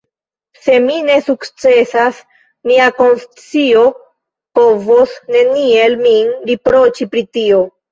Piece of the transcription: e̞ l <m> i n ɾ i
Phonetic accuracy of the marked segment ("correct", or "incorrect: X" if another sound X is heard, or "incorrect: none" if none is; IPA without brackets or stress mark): correct